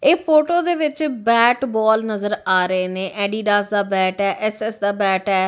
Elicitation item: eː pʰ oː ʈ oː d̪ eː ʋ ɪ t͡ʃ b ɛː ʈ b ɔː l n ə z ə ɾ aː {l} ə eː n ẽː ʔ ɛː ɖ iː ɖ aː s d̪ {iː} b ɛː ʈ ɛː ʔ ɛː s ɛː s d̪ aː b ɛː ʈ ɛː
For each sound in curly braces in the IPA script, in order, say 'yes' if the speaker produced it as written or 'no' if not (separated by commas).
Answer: no, no